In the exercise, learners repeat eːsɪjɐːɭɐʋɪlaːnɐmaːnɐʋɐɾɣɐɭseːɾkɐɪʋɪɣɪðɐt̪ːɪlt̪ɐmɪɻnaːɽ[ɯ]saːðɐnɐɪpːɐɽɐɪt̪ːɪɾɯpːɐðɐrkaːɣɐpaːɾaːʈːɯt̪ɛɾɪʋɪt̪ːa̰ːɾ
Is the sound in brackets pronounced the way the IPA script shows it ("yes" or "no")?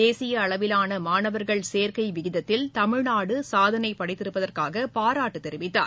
yes